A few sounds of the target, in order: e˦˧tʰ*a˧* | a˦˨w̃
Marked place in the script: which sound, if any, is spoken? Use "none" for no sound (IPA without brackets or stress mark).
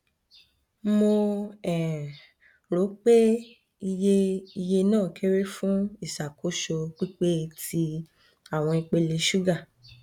i˧